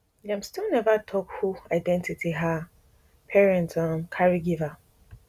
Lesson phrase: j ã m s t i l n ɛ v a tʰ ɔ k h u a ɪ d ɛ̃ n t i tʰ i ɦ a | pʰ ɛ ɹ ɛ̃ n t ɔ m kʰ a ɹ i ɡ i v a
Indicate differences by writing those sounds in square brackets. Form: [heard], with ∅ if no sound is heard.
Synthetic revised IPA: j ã m s t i l n ɛ v a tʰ ɔ k h u a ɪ d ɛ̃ n t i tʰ i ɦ a | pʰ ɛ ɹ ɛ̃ n t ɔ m kʰ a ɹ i ɡ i v a